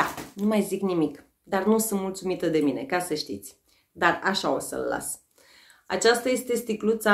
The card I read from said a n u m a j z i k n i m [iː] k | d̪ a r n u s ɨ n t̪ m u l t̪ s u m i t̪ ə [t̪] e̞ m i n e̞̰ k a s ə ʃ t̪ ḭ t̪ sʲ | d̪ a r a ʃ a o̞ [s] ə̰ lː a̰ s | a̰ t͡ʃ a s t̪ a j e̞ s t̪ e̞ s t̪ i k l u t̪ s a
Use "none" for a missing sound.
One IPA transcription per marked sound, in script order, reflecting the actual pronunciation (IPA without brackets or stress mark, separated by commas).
i, d̪, s